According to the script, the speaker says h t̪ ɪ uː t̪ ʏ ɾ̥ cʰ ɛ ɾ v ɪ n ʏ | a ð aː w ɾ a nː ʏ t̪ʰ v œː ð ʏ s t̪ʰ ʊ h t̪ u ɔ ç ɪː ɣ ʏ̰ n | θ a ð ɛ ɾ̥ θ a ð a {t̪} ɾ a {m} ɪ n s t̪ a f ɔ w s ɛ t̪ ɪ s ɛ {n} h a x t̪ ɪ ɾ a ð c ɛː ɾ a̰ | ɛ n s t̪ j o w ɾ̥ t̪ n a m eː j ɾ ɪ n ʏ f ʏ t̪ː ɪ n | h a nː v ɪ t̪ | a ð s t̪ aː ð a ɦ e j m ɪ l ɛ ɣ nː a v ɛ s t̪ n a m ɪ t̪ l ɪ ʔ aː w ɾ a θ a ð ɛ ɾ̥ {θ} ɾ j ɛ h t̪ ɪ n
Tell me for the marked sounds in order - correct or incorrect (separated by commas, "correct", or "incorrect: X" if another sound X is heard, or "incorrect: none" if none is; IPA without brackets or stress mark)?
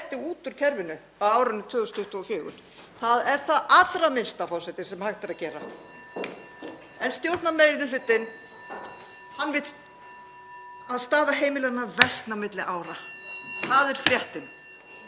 correct, correct, incorrect: m, incorrect: f